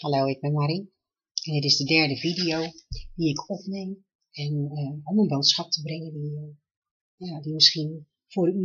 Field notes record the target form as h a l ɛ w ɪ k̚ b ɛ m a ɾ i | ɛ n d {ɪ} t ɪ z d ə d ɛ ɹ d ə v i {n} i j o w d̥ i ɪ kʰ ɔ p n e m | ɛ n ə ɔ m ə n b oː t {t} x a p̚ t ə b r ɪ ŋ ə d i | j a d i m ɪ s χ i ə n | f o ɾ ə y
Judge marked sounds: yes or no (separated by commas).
yes, no, no